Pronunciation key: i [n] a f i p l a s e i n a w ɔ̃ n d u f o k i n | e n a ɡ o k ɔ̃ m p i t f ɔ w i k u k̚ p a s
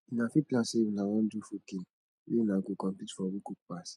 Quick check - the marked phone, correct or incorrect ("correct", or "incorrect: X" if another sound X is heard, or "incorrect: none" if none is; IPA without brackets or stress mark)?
correct